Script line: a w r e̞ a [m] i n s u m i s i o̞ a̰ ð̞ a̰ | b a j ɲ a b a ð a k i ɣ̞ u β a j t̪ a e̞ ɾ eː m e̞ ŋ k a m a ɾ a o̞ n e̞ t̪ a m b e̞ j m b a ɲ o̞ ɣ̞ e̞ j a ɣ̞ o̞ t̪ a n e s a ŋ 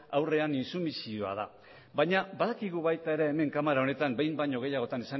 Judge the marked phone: incorrect: n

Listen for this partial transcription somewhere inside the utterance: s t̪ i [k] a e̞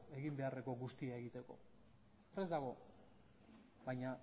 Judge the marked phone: incorrect: none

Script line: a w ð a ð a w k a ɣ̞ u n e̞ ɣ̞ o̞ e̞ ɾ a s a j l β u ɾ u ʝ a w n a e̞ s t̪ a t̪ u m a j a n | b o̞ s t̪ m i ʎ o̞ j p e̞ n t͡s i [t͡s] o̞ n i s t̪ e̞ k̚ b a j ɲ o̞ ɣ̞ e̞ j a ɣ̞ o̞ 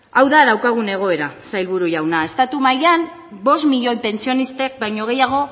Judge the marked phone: incorrect: none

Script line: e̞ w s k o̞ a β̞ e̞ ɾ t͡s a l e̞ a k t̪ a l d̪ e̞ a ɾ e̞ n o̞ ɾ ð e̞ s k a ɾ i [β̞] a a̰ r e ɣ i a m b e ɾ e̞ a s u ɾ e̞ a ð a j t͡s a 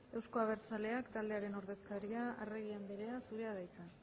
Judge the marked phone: incorrect: none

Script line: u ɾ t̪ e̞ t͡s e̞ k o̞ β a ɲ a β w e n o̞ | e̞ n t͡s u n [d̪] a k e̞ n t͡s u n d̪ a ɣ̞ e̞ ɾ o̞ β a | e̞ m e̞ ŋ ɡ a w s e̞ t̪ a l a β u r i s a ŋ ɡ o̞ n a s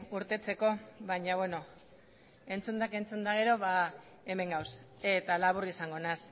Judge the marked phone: correct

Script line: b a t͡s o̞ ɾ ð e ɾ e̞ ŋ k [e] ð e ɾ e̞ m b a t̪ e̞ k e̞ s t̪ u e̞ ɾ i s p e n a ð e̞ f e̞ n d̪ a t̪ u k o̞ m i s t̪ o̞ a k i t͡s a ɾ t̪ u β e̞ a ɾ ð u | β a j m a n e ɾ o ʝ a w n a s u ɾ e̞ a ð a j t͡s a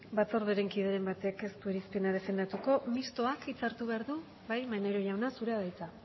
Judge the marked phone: incorrect: i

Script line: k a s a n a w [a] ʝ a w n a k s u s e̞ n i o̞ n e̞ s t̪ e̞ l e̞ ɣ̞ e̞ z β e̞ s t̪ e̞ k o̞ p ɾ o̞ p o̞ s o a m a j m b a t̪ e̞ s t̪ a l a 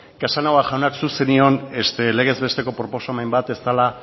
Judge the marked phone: correct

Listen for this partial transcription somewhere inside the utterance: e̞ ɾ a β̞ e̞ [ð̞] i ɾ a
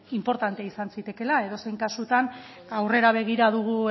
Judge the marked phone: incorrect: ɣ̞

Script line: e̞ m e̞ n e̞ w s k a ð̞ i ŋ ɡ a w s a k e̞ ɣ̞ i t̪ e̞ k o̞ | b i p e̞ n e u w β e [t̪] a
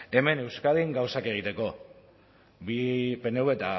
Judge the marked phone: correct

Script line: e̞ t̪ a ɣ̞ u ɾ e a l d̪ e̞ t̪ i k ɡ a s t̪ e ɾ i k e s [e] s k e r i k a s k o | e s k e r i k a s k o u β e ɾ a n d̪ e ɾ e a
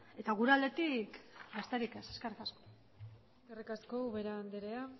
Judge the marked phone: correct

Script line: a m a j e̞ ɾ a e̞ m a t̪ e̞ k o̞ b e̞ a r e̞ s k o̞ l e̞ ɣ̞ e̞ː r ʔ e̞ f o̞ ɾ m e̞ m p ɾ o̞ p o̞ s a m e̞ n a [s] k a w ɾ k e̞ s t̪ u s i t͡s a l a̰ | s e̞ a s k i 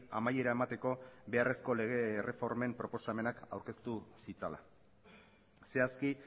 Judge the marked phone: incorrect: none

